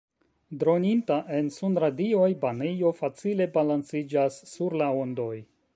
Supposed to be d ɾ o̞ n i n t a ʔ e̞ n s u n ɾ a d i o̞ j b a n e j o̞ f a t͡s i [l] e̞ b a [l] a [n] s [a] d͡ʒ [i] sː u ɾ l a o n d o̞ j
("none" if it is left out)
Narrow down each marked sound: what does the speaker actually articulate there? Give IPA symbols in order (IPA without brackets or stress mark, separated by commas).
l, l, n, i, a